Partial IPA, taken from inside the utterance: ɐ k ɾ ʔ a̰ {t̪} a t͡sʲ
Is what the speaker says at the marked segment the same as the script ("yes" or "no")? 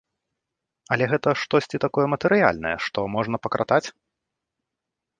yes